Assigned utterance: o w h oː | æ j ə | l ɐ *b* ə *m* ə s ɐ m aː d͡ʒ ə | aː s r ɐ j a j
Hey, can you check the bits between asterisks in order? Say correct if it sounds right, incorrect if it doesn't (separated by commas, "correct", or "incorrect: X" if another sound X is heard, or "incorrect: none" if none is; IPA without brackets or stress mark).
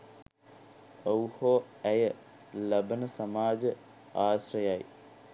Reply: correct, incorrect: n